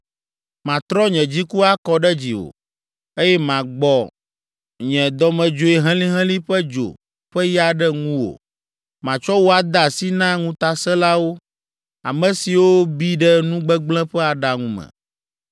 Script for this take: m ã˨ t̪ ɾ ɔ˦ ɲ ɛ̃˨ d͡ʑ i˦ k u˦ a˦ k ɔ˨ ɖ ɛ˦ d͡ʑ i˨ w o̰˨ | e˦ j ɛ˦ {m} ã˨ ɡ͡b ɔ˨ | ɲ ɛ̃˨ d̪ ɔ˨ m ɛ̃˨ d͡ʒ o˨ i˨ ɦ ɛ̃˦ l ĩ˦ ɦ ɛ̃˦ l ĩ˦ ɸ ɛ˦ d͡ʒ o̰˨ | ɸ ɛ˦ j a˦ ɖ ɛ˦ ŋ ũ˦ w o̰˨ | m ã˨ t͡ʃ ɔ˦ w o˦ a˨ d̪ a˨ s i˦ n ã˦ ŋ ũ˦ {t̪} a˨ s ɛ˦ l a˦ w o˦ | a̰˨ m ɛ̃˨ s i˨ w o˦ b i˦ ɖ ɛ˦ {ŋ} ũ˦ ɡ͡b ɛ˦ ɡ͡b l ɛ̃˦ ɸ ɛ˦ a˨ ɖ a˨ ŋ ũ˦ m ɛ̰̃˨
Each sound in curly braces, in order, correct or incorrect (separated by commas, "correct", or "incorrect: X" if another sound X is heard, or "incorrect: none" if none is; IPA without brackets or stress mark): correct, correct, incorrect: n